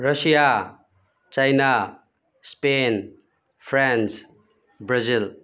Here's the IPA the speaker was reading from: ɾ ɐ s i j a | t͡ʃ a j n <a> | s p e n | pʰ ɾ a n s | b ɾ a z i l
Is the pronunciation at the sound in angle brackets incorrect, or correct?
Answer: correct